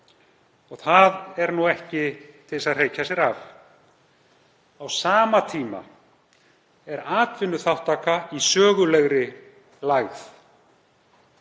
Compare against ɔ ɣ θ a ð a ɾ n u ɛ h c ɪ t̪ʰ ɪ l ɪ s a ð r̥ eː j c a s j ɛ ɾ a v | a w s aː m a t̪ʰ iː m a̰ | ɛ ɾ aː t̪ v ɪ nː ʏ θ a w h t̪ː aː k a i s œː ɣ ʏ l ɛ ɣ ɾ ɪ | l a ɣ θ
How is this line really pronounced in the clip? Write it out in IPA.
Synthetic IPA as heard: ɔ ɣ θ a ð ɛ ɾ n u ɛ h c ɪ t̪ʰ ɪ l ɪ s a ð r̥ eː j c a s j ɛ ɾ a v | a w s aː m a t̪ʰ iː m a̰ | ɛ ɾ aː t̪ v ɪ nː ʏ θ a w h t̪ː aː k a i s œː ɣ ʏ l ɛ ɣ ɾ ɪ | l a ɣ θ